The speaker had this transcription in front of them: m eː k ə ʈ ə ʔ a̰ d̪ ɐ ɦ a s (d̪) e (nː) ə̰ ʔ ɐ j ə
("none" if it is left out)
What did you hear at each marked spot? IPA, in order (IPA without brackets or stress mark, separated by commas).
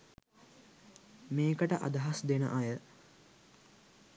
d̪, n